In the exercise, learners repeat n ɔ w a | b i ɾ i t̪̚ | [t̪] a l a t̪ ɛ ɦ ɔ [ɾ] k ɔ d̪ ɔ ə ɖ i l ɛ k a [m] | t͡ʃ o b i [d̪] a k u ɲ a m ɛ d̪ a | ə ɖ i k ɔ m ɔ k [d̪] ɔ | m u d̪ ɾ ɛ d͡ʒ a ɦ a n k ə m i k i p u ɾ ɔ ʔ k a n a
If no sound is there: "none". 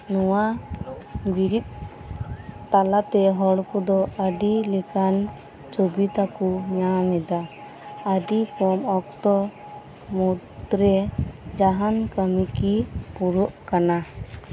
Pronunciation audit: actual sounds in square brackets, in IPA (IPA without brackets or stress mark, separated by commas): t̪, ɽ, n, t̪, t̪